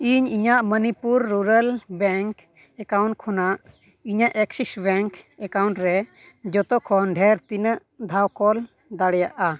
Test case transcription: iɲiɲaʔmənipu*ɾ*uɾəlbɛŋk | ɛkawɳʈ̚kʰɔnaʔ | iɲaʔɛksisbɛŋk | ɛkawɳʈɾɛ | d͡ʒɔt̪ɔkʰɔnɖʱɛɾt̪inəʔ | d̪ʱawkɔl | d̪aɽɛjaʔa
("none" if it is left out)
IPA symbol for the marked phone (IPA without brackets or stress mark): ɾː